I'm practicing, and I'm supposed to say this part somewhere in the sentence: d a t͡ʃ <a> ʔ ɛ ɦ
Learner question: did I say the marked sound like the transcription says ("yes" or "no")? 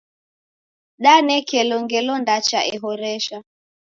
yes